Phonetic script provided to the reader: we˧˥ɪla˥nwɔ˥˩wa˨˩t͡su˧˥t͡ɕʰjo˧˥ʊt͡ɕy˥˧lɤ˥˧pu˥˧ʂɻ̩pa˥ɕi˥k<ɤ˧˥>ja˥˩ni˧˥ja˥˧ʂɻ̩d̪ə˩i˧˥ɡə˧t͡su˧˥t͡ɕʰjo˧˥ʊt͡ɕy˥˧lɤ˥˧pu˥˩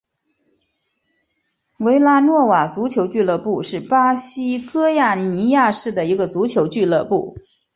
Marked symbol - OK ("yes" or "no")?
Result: no